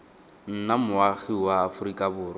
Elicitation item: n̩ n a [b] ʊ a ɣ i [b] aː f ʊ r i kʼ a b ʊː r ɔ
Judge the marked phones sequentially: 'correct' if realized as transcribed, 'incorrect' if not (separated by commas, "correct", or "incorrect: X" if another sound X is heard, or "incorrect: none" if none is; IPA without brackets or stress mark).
incorrect: m, incorrect: w